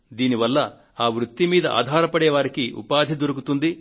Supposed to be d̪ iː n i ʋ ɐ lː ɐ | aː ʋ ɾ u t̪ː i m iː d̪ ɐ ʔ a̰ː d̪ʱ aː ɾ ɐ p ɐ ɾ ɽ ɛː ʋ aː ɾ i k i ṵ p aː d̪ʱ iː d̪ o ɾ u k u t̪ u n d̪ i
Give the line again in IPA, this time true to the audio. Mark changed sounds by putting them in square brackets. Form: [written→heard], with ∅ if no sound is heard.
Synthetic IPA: d̪ iː n i ʋ ɐ lː ɐ | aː ʋ ɾ u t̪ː i m iː d̪ ɐ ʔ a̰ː d̪ʱ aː ɾ ɐ p ɐ [ɾ→∅] ɽ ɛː ʋ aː ɾ i k i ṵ p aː d̪ʱ [iː→i] d̪ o ɾ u k u t̪ u n d̪ i